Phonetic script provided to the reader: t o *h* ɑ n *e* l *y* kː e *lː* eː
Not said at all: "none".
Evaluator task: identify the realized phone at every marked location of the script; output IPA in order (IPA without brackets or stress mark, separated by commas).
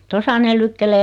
s, e, y, l